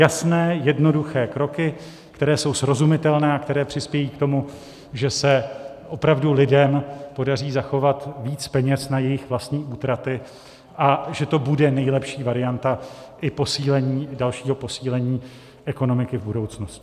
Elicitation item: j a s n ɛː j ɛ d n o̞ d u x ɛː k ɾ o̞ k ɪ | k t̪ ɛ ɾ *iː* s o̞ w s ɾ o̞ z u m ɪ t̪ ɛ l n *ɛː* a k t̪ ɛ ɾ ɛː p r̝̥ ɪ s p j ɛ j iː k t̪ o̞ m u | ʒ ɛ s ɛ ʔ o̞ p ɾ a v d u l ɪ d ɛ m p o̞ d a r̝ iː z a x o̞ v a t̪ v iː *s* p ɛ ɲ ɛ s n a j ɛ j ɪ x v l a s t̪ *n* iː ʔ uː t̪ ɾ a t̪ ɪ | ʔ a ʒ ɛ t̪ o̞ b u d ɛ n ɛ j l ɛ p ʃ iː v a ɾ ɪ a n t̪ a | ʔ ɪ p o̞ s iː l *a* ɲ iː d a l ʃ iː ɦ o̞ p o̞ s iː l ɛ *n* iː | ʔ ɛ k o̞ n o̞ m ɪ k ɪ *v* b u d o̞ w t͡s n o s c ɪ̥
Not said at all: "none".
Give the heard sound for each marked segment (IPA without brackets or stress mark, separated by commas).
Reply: ɛː, ɛː, t͡s, ɲ, ɛ, ɲ, v